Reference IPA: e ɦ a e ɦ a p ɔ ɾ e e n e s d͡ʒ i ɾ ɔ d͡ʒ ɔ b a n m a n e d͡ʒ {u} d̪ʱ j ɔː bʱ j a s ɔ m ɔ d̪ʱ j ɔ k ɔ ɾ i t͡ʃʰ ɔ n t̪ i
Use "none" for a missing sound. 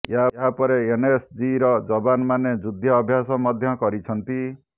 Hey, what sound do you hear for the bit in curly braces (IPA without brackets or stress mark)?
u